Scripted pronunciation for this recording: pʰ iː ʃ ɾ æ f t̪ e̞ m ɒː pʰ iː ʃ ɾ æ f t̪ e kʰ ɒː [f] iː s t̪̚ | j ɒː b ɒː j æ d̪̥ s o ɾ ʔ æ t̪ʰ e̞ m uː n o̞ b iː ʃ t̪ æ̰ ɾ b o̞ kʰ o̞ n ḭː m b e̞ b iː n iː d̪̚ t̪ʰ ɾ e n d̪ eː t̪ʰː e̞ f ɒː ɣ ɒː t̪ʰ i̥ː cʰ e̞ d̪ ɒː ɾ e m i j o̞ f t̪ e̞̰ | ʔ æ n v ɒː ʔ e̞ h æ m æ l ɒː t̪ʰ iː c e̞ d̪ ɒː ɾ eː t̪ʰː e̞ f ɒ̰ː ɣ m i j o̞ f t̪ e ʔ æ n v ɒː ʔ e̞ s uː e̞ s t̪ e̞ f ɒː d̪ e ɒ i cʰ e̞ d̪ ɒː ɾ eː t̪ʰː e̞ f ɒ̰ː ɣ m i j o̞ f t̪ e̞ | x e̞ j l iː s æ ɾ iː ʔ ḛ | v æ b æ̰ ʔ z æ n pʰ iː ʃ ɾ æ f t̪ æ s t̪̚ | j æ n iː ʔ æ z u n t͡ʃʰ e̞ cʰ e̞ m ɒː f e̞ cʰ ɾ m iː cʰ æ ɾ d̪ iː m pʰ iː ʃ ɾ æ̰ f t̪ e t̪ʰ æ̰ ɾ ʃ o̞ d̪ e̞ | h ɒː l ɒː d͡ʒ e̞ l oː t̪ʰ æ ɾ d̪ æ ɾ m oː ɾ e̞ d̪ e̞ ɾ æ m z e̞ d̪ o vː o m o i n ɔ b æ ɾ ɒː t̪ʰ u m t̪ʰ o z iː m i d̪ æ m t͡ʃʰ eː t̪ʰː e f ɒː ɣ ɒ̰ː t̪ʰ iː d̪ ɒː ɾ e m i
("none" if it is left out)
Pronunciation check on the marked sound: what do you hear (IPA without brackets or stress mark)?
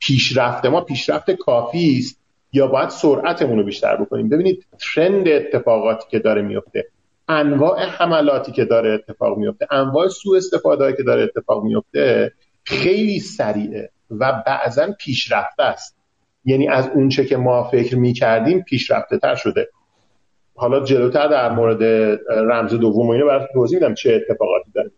f